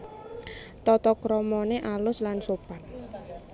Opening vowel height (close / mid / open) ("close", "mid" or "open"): mid